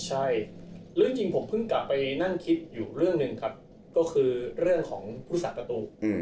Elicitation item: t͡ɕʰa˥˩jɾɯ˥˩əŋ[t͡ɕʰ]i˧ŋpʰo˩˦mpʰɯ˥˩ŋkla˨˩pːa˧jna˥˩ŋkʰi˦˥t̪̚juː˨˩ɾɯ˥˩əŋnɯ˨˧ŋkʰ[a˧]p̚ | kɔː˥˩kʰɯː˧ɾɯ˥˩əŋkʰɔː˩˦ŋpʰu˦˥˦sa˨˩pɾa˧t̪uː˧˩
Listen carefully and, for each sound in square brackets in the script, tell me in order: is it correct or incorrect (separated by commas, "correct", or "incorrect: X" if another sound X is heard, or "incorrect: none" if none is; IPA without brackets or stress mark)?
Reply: incorrect: t͡ɕ, incorrect: a˦˥